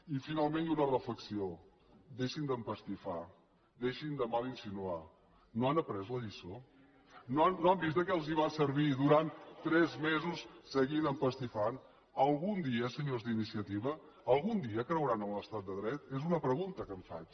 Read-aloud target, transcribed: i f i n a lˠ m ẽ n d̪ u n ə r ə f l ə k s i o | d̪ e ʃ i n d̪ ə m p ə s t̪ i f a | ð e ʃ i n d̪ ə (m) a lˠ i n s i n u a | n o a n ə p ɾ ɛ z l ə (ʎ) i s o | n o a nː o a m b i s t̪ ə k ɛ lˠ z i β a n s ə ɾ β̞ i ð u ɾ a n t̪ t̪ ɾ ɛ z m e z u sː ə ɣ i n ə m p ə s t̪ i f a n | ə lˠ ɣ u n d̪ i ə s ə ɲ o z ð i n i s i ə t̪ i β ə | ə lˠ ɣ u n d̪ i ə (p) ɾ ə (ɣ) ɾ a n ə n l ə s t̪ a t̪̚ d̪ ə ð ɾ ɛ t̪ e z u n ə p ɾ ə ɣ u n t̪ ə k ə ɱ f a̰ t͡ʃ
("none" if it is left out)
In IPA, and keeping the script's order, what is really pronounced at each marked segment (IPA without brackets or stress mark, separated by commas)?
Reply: m, ʎ, k, w